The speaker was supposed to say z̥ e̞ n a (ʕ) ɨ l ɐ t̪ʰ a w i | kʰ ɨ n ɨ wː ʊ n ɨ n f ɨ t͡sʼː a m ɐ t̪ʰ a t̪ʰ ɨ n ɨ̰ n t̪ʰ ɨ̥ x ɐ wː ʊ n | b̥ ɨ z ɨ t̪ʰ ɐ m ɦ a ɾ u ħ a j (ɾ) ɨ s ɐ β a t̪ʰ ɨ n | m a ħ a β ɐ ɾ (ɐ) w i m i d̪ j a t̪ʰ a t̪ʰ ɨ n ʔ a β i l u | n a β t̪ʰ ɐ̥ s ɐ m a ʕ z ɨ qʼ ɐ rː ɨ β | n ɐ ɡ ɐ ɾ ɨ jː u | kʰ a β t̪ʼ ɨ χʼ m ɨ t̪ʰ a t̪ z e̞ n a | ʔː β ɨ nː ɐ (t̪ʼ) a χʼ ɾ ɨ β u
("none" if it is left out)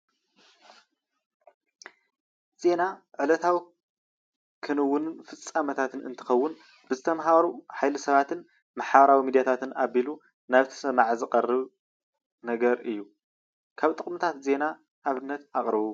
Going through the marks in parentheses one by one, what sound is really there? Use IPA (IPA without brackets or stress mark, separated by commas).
ʕ, l, a, t̪